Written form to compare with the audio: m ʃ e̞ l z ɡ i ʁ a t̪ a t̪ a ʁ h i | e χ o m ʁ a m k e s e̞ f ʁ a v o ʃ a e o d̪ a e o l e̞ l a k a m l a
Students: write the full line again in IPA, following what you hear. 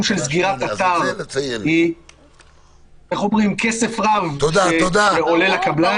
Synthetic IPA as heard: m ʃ e̞ l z ɡ i ʁ a t̪ a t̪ a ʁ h i | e χ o m ʁ i m k e s e̞ f ʁ a v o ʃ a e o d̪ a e o l e̞ l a k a b l a